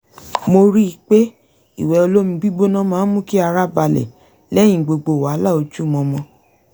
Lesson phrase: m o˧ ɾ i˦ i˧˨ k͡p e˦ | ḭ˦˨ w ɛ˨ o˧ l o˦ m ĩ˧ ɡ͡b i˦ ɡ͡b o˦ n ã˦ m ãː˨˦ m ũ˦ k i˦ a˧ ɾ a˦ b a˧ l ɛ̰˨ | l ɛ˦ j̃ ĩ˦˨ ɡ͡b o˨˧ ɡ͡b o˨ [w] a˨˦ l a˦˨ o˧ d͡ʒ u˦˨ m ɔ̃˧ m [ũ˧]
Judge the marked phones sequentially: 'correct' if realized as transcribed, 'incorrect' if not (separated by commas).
correct, incorrect